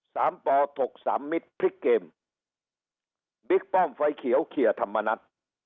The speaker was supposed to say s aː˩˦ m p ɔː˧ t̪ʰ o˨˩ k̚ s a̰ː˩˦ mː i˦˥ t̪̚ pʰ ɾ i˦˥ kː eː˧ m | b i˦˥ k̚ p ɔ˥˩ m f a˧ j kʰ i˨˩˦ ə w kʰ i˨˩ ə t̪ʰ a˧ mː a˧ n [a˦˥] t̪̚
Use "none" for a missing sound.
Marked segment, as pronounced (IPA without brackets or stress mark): a˦˥